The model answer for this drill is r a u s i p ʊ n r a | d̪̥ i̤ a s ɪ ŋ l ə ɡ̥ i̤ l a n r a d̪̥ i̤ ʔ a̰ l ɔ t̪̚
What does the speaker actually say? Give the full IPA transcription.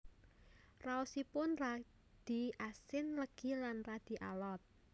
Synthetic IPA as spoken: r a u s i p ʊ n r a | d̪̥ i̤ a s ɪ n l ə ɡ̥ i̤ l a n r a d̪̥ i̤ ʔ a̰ l ɔ t̪̚